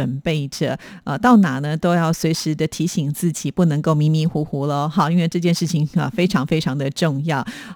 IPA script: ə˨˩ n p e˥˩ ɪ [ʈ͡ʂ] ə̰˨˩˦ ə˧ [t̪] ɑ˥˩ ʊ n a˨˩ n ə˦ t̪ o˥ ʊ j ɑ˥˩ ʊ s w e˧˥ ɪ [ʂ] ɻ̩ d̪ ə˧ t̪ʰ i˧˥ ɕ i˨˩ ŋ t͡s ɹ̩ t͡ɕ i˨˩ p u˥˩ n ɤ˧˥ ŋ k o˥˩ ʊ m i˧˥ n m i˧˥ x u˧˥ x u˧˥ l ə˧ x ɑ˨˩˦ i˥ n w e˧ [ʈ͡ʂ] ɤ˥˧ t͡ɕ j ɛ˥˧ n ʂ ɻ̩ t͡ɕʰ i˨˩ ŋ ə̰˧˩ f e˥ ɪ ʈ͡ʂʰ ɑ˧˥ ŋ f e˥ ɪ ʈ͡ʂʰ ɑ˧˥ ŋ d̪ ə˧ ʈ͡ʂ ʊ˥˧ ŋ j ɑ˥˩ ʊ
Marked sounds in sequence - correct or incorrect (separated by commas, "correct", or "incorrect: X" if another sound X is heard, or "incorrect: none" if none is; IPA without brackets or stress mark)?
correct, correct, correct, correct